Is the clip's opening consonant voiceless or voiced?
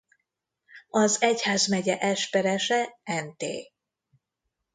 voiced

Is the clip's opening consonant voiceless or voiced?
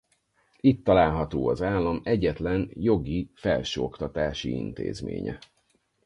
voiceless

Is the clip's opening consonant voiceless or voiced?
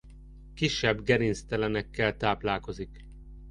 voiceless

